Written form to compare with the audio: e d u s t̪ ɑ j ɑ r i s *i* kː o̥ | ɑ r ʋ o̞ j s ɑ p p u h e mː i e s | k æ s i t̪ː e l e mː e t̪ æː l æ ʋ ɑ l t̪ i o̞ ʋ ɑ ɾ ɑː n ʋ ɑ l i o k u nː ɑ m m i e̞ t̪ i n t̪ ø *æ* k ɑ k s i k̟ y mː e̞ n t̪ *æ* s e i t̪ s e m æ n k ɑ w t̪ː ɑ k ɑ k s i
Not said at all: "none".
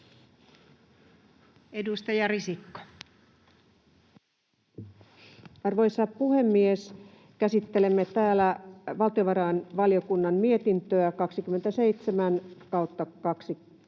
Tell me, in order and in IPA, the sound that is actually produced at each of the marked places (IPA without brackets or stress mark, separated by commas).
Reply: i, æ, æ